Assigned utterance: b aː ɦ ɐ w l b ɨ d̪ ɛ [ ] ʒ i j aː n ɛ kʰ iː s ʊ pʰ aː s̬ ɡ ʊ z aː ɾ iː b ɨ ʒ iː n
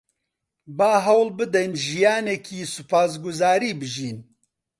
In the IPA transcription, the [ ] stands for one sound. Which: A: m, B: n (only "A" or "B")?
B